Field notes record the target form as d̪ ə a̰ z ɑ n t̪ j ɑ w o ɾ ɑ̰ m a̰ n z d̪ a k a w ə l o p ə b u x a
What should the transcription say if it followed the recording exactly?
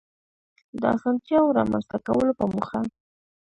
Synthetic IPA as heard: d̪ ə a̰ s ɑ n t̪ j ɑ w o ɾ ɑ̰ m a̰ n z t̪ a k a w ə l o p ə m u x a

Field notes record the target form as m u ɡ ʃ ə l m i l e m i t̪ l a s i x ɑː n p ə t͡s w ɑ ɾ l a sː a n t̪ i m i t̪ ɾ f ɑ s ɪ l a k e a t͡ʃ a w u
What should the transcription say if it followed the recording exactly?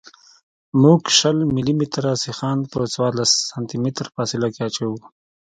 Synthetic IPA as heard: m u ɡ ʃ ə l m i l i m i t̪ ɾ a s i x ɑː n p ə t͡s w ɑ ɾ l a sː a n t̪ i m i t̪ ɾ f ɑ s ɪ l a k e a t͡ʃ a w u

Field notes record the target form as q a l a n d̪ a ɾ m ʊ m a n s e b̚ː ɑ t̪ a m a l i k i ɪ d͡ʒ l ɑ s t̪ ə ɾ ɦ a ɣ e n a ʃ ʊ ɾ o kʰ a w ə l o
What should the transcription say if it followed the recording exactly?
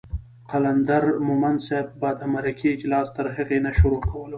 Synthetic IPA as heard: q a l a n d̪ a ɾ m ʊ m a n s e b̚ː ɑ d̪ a m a ɾ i k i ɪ d͡ʒ l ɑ s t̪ ə ɾ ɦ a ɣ e n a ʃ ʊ ɾ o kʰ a w ə l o

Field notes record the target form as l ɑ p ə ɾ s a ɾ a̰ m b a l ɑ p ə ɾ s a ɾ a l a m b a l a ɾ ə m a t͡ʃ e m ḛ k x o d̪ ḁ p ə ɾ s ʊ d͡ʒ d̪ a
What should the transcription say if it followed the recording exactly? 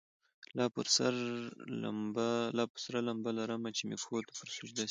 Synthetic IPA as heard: l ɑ p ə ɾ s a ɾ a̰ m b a l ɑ p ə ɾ s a ɾ a l a m b a l a ɾ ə m a t͡ʃ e m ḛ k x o t̪ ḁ p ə ɾ s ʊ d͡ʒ d̪ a

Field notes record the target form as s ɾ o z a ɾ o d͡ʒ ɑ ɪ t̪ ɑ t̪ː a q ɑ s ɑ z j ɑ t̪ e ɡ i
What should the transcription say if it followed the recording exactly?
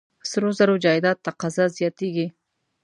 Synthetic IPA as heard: s ɾ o z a ɾ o d͡ʒ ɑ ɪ d̪ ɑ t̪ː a q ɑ z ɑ z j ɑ t̪ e ɡ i

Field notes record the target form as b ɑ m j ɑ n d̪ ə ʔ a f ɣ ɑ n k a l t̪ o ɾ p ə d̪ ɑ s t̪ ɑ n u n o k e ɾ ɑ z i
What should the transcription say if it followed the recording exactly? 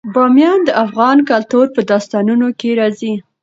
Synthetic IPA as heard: b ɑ m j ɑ n d̪ ə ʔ a f ɣ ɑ n k a l t̪ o ɾ p ə d̪ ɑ s t̪ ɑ n u n o k e ɾ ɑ z i

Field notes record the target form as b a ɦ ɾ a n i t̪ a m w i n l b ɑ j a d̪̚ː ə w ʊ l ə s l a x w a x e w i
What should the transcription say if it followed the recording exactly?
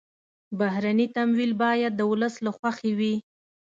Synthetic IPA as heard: b a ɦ ɾ a n i t̪ a m w i l b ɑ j a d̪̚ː ə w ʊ l ə s l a x w a x e w i

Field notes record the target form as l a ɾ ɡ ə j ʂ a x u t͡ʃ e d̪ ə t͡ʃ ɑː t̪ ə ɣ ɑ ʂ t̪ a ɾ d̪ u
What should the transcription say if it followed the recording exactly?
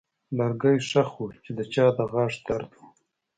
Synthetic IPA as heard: l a ɾ ɡ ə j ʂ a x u t͡ʃ e d̪ ə t͡ʃ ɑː d̪ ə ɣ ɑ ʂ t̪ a ɾ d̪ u

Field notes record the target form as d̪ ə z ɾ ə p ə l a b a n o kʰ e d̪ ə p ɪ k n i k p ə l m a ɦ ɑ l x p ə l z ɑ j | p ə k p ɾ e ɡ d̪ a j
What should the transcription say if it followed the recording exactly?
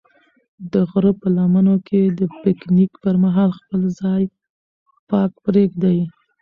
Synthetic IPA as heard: d̪ ə ɣ ɾ ə p ə l a m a n o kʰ e d̪ ə p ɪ k n i k p ə ɾ m a ɦ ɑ l x p ə l z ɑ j | p ɑ k p ɾ e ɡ d̪ a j

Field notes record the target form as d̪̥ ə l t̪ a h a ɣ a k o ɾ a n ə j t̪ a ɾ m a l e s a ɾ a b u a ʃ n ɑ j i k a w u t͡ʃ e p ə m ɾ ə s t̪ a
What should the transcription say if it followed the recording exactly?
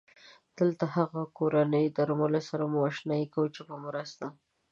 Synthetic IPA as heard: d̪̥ ə l t̪ a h a ɣ a k o ɾ a n ə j d̪ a ɾ m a l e s a ɾ a m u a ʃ n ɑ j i k a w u t͡ʃ e p ə m ɾ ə s t̪ a

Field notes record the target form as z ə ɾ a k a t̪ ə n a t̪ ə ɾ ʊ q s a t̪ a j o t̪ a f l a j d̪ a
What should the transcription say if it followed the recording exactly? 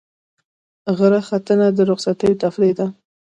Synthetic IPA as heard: ɣ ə ɾ a x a t̪ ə n a d̪ ə ɾ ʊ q s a t̪ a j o t̪ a f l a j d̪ a

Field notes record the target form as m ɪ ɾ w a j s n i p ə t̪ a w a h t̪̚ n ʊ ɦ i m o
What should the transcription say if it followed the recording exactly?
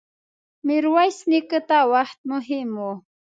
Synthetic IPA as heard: m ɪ ɾ w a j s n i k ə t̪ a w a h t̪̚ m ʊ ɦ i m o

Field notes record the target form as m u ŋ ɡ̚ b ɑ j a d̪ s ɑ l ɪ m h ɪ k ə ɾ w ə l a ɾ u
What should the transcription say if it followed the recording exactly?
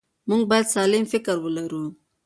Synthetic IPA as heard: m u ŋ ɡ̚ b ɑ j a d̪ s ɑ l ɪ m f ɪ k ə ɾ w ə l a ɾ u

